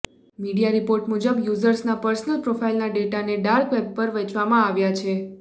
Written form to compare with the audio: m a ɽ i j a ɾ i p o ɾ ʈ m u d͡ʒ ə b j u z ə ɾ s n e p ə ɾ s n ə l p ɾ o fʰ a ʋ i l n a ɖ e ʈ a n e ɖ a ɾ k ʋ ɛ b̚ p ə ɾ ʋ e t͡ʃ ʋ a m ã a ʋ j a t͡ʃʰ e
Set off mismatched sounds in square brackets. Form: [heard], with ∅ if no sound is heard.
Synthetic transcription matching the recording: m [i] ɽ i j a ɾ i p o ɾ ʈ m u d͡ʒ ə b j u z ə ɾ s n [a] p ə ɾ s n ə l p ɾ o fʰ a [∅] i l n a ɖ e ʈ a n e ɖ a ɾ k ʋ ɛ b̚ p ə ɾ ʋ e t͡ʃ ʋ a m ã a ʋ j a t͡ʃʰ e